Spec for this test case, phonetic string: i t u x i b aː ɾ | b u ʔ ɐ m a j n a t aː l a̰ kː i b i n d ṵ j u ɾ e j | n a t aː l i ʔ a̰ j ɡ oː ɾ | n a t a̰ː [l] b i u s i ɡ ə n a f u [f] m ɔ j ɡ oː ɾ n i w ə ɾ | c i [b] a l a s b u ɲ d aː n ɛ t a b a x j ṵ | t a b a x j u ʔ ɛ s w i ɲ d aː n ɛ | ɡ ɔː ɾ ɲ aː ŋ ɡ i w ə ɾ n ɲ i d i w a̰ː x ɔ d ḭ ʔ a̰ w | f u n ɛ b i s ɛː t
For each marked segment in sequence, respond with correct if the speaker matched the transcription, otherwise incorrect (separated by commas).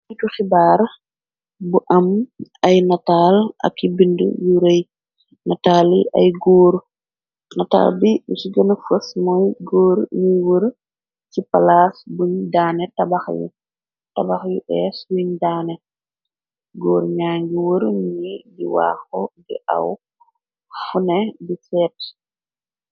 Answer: correct, incorrect, incorrect